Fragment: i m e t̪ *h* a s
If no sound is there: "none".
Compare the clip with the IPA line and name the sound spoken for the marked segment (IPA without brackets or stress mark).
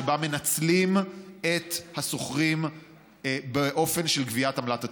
h